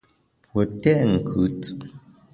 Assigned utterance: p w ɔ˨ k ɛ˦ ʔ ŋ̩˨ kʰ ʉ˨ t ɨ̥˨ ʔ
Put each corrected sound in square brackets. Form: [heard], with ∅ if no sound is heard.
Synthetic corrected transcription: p w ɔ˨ [t] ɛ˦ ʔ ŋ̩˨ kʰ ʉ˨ [t͡s] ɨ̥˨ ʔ